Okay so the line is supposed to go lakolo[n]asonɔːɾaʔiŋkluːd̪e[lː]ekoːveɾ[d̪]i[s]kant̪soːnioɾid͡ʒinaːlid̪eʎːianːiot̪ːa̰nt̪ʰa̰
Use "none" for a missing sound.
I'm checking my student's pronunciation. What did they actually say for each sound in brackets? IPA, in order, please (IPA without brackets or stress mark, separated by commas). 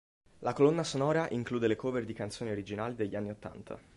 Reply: nː, l, d̪, none